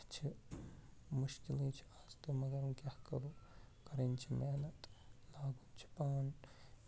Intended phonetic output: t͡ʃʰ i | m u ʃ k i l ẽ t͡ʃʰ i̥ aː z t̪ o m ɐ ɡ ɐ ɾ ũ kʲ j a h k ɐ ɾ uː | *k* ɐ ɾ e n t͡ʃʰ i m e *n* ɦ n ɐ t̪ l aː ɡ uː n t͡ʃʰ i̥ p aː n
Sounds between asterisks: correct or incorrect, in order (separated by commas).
correct, incorrect